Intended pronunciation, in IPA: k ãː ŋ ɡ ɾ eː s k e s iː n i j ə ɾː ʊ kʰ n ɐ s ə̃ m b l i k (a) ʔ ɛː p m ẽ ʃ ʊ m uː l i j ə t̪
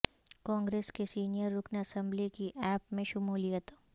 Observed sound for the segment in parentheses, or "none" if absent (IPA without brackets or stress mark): i